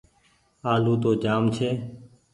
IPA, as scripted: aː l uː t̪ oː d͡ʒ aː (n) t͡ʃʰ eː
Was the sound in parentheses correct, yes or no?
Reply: no